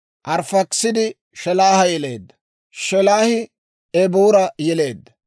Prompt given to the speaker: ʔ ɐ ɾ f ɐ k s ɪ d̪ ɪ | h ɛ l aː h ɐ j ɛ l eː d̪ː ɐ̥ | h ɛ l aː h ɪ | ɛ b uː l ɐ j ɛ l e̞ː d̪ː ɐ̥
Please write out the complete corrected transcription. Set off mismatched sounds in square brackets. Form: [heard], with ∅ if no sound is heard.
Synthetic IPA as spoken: ʔ ɐ ɾ f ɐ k s ɪ d̪ ɪ | [ʃ] ɛ l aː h ɐ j ɛ l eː d̪ː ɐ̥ | [ʃ] ɛ l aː h ɪ | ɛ b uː [ɾ] ɐ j ɛ l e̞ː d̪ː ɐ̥

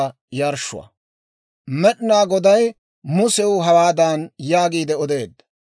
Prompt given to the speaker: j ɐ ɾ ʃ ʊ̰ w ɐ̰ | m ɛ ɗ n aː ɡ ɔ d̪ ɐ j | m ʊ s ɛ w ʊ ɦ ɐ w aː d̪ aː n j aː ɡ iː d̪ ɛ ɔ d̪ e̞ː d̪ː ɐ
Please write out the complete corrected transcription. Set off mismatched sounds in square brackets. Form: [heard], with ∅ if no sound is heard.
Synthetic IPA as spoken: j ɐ ɾ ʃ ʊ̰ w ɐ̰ | m ɛ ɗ n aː ɡ ɔ d̪ ɐ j | m ʊ s ɛ w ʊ ɦ ɐ w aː d̪ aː n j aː ɡ iː d̪ ɛ ɔ d̪ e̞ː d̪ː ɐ

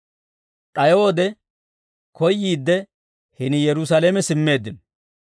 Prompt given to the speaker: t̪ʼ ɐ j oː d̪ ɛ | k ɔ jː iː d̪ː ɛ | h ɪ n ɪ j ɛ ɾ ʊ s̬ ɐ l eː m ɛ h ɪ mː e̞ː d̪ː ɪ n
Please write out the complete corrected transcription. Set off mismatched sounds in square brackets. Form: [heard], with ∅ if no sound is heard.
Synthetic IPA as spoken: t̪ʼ ɐ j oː d̪ ɛ | k ɔ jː iː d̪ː ɛ | h ɪ n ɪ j ɛ ɾ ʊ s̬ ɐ l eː m ɛ [s] ɪ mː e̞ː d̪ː ɪ n

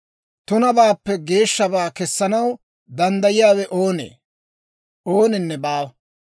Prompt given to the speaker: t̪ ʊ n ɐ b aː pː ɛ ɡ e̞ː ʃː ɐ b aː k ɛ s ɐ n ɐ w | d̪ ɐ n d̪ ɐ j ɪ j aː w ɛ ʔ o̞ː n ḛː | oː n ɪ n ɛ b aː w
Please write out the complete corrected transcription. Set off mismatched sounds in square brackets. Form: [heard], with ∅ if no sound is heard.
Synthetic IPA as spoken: t̪ ʊ n ɐ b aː pː ɛ ɡ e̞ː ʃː ɐ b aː k ɛ [sː] ɐ n ɐ w | d̪ ɐ n d̪ ɐ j ɪ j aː w ɛ ʔ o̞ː n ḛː | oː n ɪ [nː] ɛ b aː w

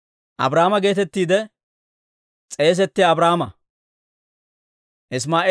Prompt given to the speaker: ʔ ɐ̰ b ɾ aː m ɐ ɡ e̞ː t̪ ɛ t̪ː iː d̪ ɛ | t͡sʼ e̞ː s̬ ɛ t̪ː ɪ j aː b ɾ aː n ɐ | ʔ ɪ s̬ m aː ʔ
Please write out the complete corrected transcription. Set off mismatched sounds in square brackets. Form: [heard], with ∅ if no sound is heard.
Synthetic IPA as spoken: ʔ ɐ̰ b ɾ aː m ɐ ɡ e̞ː t̪ ɛ t̪ː iː d̪ ɛ | t͡sʼ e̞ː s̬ ɛ t̪ː ɪ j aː b ɾ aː [m] ɐ | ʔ ɪ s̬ m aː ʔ

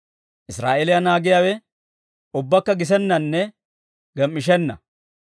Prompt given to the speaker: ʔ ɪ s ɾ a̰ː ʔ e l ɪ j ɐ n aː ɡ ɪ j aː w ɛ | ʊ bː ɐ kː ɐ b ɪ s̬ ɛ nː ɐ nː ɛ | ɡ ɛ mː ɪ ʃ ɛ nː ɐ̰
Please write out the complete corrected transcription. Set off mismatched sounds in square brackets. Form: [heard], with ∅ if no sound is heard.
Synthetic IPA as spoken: ʔ ɪ s ɾ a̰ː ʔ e l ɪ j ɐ n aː ɡ ɪ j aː w ɛ | ʊ bː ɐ kː ɐ [ɡ] ɪ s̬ ɛ nː ɐ nː ɛ | ɡ ɛ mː ɪ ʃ ɛ nː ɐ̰

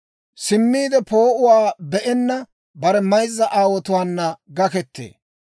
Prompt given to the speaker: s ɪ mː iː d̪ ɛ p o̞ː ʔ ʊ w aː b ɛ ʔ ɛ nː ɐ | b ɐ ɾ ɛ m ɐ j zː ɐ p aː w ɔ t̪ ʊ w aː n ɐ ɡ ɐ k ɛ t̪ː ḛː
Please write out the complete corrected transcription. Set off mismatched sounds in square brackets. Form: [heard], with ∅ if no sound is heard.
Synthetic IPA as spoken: s ɪ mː iː d̪ ɛ p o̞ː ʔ ʊ w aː b ɛ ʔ ɛ nː ɐ | b ɐ ɾ ɛ m ɐ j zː ɐ [ʔ] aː w ɔ t̪ ʊ w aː [nː] ɐ ɡ ɐ k ɛ t̪ː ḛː

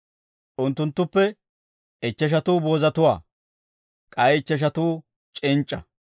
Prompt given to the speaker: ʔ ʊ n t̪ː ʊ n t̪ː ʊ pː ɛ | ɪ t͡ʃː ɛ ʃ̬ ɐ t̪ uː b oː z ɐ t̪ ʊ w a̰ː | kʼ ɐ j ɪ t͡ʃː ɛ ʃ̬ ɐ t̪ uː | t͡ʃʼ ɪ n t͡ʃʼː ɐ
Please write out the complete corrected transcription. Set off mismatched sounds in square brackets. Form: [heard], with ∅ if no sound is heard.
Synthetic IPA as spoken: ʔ ʊ n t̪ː ʊ n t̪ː ʊ pː ɛ | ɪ t͡ʃː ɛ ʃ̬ ɐ t̪ uː b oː z ɐ t̪ ʊ w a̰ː | kʼ ɐ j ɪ t͡ʃː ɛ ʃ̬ ɐ t̪ uː | t͡ʃʼ ɪ n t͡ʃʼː ɐ

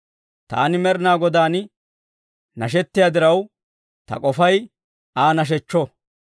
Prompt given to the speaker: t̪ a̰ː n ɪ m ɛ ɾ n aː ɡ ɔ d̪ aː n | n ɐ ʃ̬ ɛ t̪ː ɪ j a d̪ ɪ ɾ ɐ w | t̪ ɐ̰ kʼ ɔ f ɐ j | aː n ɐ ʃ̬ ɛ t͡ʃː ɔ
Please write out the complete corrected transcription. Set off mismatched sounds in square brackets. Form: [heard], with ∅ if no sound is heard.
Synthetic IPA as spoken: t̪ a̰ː n ɪ m ɛ ɾ n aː ɡ ɔ d̪ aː n | n ɐ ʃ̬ ɛ t̪ː ɪ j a d̪ ɪ ɾ ɐ w | t̪ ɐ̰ kʼ ɔ f ɐ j | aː n ɐ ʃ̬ ɛ t͡ʃː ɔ

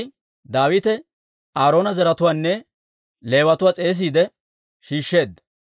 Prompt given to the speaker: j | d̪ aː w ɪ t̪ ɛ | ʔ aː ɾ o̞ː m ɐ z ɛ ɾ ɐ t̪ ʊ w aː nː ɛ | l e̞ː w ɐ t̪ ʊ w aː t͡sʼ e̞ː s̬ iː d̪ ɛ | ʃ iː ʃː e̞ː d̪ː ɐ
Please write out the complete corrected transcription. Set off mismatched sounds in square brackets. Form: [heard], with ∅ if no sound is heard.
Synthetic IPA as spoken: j | d̪ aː w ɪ t̪ ɛ | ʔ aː ɾ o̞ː [n] ɐ z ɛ ɾ ɐ t̪ ʊ w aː nː ɛ | l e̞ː w ɐ t̪ ʊ w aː t͡sʼ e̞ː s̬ iː d̪ ɛ | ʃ iː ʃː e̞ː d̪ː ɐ

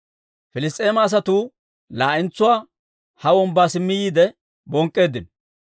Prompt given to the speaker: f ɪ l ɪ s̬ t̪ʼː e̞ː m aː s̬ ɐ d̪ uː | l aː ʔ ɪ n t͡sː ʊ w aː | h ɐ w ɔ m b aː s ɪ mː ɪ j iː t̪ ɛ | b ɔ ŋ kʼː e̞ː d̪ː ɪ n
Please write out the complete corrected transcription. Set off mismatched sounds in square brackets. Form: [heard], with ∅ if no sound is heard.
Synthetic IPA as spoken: f ɪ l ɪ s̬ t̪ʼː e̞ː m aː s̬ ɐ [t̪] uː | l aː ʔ ɪ n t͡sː ʊ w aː | h ɐ w ɔ m b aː s ɪ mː ɪ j iː [d̪] ɛ | b ɔ ŋ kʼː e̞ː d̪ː ɪ n

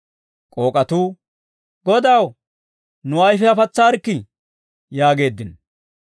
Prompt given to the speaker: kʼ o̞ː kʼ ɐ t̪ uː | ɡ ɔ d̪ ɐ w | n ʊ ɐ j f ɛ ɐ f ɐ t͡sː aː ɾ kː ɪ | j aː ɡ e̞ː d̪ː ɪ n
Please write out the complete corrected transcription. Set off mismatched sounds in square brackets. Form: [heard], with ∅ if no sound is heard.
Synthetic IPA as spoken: kʼ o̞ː kʼ ɐ t̪ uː | ɡ ɔ d̪ ɐ w | n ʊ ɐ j f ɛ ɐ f ɐ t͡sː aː ɾ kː ɪ | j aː ɡ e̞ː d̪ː ɪ n

